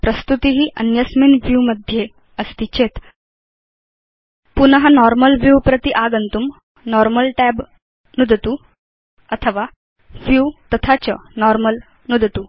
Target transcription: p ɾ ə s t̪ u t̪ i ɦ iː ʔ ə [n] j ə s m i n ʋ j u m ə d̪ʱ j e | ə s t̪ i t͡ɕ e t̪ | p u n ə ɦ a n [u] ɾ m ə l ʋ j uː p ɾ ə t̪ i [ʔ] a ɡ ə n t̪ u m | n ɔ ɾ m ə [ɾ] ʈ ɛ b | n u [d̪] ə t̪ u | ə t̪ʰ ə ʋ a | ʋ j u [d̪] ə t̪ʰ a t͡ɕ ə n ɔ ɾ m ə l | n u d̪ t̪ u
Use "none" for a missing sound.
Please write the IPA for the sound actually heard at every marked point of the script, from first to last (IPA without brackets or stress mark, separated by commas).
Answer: n, ɔ, ʔ, l, d̪, t̪